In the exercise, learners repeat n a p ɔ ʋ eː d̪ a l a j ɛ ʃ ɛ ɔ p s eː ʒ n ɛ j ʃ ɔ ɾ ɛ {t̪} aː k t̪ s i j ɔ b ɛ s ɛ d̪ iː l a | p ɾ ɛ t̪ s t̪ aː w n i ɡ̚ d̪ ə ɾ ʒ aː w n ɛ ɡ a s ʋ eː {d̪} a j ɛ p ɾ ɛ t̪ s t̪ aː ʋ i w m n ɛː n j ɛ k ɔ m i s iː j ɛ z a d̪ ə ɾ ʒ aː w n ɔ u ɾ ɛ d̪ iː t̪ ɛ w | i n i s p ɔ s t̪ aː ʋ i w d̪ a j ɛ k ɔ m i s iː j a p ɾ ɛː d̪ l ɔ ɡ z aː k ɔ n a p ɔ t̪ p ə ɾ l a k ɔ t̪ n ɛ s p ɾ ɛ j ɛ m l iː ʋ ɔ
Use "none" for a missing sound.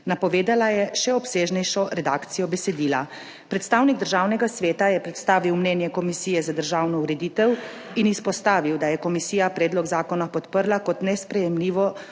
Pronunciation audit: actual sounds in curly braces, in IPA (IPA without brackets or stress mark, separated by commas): d̪, t̪